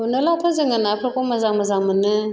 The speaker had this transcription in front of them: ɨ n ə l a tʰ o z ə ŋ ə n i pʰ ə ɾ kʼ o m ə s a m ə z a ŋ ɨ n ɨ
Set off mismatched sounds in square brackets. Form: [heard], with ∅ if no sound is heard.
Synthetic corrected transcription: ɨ n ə l a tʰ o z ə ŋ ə n [a] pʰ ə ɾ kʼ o m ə [z] a m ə z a [m] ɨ n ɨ